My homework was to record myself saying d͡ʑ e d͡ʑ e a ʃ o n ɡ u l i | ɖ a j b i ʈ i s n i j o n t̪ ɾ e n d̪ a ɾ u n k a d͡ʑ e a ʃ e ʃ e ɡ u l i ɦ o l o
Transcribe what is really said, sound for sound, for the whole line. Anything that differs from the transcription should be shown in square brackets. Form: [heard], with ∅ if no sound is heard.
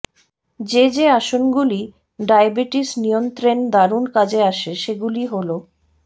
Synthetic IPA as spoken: d͡ʑ e d͡ʑ e a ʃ o n ɡ u l i | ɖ a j b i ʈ i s n i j o n t̪ ɾ e n d̪ a ɾ u n k a d͡ʑ e a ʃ e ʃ e ɡ u l i ɦ o l o